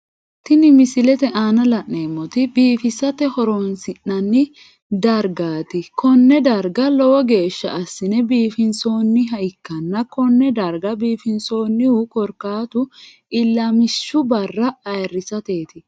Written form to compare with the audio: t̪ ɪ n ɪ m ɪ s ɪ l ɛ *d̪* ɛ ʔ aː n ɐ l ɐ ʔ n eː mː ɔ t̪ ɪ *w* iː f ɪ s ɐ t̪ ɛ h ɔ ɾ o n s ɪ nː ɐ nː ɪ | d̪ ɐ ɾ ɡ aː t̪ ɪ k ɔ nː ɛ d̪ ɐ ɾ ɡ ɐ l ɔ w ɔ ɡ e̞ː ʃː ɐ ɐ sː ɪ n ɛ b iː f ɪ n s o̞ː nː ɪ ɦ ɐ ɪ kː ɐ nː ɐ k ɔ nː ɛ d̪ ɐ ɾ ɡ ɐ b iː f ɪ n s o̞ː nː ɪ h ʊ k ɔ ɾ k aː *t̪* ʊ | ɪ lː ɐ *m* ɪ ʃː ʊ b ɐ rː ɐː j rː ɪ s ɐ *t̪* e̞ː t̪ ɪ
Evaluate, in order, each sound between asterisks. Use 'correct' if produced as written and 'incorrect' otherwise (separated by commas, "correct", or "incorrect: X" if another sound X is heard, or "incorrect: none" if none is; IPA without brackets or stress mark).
incorrect: t̪, incorrect: b, correct, correct, correct